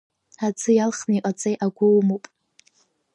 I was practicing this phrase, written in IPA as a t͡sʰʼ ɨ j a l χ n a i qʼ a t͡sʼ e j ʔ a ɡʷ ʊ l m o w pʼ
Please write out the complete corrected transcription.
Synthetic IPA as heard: a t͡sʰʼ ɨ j a l χ n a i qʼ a t͡sʼ e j ʔ a ɡʷ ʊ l m o w pʼ